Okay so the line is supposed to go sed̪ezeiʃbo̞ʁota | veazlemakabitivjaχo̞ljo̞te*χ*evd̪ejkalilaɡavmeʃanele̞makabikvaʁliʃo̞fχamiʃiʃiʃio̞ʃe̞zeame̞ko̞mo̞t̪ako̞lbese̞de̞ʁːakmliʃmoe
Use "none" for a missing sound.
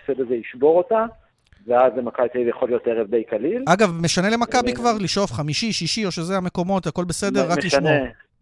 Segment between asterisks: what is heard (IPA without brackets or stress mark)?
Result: ʁ